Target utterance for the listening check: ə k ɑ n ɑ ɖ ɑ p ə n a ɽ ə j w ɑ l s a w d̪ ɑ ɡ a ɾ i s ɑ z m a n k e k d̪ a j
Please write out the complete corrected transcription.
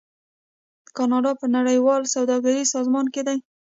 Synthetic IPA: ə k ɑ n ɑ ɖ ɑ p ə n a ɽ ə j w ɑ l s a w d̪ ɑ ɡ a ɾ i s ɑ z m ɑ n k e d̪ a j

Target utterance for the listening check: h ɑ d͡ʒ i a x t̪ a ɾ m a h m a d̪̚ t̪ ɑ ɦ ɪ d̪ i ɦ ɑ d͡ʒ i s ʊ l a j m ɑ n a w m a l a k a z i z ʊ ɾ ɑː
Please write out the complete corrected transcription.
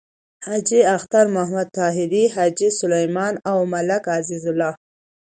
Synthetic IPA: h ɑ d͡ʒ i a x t̪ a ɾ m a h m a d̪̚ t̪ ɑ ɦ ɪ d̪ i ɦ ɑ d͡ʒ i s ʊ l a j m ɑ n a w m a l a k a z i z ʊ l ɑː

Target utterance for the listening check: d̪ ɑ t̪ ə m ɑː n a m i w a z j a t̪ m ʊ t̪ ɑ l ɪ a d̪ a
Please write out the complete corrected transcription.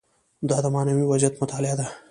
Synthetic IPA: d̪ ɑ d̪ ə m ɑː n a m i w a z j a t̪ m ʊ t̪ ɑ l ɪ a d̪ a

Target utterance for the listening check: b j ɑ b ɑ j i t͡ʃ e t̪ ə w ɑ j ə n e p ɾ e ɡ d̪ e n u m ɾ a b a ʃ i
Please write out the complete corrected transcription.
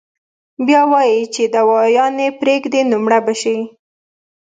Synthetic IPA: b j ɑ w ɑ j i t͡ʃ e d̪ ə w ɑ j ɑ n e p ɾ e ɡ d̪ e n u m ɽ a b a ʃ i

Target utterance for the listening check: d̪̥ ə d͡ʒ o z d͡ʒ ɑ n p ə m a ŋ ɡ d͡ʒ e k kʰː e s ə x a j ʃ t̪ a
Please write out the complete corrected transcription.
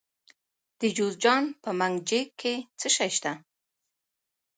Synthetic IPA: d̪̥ ə d͡ʒ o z d͡ʒ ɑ n p ə m a ŋ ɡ d͡ʒ e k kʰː e t͡s ə ʃ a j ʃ t̪ a

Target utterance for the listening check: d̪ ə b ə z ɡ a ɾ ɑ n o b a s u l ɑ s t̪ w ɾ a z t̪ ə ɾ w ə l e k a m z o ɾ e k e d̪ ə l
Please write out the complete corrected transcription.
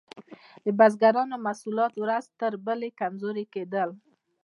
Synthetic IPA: d̪ ə b a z ɡ a ɾ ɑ n o m a s u l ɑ t̪ w ɾ a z t̪ ə ɾ b ə l e k a m z o ɾ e k e d̪ ə l

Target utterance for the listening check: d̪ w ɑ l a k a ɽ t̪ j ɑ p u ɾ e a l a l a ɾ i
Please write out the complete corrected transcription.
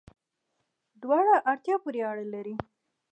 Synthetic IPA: d̪ w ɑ ɽ a ʔ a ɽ t̪ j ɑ p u ɾ e a ɽ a l a ɾ i

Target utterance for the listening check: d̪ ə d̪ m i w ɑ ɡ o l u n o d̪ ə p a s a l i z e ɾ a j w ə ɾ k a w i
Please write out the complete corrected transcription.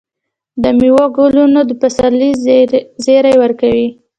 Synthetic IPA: d̪ ə m i w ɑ ɡ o l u n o d̪ ə p a s a l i z e ɾ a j w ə ɾ k a w i

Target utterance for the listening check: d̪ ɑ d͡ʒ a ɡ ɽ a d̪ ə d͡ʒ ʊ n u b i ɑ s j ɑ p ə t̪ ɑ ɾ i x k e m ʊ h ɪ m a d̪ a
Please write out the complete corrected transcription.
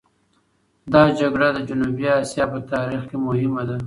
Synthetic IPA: d̪ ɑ d͡ʒ a ɡ ɽ a d̪ ə d͡ʒ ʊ n u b i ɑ s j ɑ p ə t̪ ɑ ɾ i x k e m ʊ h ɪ m a d̪ a

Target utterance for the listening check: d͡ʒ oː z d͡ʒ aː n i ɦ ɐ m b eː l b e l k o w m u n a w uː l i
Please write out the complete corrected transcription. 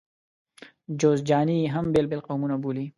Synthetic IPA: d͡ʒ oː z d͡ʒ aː n i ɦ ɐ m b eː l b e l q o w m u n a b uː l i

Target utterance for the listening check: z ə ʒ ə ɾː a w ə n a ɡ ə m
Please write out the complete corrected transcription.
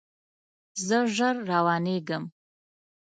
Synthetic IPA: z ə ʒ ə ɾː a w ɑ n e ɡ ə m

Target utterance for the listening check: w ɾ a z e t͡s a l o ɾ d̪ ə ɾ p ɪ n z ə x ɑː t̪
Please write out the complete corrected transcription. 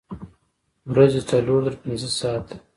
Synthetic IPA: w ɾ a z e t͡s a l o ɾ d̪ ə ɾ p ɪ n z ə s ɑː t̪

